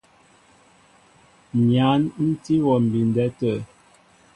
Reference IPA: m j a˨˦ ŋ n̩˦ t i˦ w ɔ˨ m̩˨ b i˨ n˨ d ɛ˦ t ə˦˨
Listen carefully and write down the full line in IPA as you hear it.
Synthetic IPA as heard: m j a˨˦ n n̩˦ t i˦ w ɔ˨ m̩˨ b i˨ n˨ d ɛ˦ t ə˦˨